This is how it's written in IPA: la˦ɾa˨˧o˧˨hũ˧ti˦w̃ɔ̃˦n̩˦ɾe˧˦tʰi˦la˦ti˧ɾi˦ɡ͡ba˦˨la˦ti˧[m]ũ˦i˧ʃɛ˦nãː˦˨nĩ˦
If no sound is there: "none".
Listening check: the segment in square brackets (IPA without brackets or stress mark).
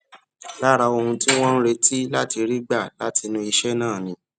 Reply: n